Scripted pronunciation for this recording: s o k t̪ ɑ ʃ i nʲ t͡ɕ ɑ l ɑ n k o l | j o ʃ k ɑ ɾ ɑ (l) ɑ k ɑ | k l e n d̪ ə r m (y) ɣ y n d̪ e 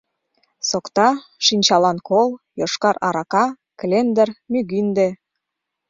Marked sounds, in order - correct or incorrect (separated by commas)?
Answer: incorrect, correct